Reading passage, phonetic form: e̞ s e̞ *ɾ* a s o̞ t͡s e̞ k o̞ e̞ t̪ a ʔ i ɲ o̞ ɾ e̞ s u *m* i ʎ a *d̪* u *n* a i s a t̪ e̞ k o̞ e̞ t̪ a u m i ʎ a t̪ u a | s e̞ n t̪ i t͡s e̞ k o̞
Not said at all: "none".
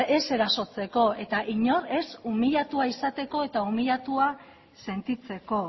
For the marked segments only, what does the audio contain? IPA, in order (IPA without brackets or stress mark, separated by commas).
ɾ, m, t̪, none